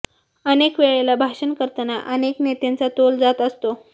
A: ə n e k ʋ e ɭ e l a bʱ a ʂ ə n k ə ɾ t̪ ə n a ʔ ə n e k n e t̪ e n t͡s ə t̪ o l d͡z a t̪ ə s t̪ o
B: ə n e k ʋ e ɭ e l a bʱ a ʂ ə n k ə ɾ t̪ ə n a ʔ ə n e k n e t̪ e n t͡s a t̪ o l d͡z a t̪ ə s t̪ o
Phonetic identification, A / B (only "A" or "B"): B